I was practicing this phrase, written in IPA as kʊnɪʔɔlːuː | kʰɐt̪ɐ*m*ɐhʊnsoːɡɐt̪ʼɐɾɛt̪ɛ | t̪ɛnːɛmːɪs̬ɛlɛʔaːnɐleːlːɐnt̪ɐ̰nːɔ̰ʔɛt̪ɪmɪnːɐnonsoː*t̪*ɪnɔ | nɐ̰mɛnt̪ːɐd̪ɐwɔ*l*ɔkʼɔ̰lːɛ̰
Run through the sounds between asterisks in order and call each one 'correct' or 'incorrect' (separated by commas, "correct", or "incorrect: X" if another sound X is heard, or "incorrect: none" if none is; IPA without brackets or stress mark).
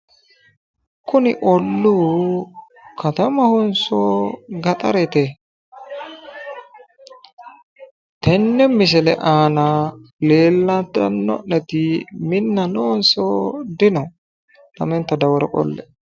correct, incorrect: d̪, incorrect: ɾ